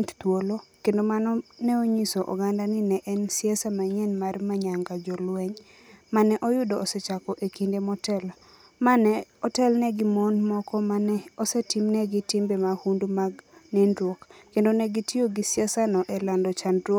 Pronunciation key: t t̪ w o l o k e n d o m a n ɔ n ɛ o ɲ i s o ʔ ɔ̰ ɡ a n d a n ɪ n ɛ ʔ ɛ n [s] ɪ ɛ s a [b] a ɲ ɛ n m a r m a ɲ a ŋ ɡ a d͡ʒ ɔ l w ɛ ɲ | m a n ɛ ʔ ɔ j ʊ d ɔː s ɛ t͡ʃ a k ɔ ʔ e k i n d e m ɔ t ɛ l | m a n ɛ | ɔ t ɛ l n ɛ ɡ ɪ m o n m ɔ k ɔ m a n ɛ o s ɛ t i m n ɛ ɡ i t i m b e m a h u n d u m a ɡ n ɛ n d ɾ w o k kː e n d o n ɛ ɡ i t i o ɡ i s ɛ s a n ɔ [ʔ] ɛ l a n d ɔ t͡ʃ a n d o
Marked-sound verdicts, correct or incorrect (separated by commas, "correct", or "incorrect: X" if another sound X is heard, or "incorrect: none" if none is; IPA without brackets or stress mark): correct, incorrect: m, correct